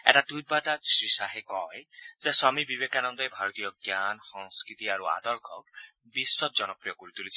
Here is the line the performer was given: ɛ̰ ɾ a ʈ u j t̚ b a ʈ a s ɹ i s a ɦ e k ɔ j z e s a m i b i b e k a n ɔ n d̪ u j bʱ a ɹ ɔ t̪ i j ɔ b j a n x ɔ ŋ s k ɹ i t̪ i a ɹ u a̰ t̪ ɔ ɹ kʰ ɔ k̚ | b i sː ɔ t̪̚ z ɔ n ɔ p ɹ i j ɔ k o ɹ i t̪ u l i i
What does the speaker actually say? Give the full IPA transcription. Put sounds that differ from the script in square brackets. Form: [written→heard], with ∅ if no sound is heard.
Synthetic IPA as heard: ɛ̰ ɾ a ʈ u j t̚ b a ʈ a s ɹ i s a ɦ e k ɔ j z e s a m i b i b e k a n ɔ n d̪ [u→ɔ] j bʱ a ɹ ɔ t̪ i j ɔ [b→ɡ] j a n x ɔ ŋ s k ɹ i t̪ i a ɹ u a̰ [t̪→d̪] ɔ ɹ kʰ ɔ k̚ | b i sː ɔ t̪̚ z ɔ n ɔ p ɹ i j ɔ k o ɹ i t̪ u l i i